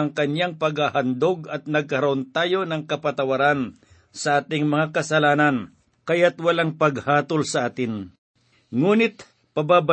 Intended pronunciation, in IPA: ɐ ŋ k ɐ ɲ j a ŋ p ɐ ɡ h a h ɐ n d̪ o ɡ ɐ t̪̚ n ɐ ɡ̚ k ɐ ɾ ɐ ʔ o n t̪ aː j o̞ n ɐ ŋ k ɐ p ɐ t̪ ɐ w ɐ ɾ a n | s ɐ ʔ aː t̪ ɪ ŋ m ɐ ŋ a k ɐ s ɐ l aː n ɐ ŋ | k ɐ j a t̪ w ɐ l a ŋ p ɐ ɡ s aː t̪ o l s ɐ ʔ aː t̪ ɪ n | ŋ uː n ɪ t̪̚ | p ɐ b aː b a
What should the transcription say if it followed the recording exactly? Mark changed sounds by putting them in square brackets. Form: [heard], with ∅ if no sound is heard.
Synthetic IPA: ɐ ŋ k ɐ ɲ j a ŋ p ɐ ɡ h a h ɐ n d̪ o ɡ ɐ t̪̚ n ɐ ɡ̚ k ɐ ɾ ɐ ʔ o n t̪ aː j o̞ n ɐ ŋ k ɐ p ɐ t̪ ɐ w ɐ ɾ a n | s ɐ ʔ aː t̪ ɪ ŋ m ɐ ŋ a k ɐ s ɐ l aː n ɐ [n] | k ɐ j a t̪ w ɐ l a ŋ p ɐ ɡ [h] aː t̪ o l s ɐ ʔ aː t̪ ɪ n | ŋ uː n ɪ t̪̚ | p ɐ b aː b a